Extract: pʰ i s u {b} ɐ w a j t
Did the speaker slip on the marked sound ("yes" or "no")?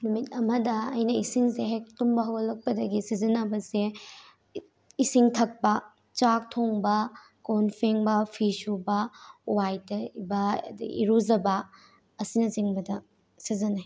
no